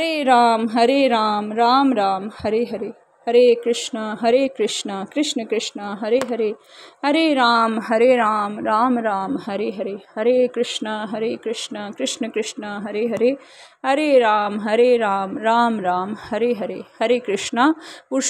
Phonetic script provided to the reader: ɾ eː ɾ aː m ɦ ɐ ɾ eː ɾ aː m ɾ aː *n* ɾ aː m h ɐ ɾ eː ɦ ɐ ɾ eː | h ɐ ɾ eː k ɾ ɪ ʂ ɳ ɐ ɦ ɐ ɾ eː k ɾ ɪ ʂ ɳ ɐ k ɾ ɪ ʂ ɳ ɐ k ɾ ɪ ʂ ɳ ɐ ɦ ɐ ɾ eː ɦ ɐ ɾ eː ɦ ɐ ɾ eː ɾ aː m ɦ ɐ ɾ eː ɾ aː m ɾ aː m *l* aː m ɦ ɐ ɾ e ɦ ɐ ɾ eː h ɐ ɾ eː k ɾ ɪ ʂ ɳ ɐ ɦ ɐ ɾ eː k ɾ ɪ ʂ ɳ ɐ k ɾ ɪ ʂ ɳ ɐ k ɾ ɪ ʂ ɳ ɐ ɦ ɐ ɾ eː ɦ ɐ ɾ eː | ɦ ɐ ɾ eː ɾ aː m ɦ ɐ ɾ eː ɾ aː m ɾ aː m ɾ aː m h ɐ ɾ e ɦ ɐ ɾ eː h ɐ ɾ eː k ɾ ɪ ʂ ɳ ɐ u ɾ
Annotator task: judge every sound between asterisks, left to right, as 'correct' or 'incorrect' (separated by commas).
incorrect, incorrect